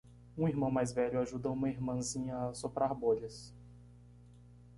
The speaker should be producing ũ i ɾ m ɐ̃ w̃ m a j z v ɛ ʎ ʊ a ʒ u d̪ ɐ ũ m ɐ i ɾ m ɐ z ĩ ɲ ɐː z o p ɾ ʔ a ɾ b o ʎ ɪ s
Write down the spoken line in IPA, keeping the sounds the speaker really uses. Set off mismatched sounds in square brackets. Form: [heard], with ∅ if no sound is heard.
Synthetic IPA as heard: ũ i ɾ m ɐ̃ w̃ m a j z v ɛ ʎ ʊ a ʒ u d̪ ɐ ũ m ɐ i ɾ m [ɐ̃] z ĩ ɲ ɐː [s] o p ɾ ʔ a ɾ b o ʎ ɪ s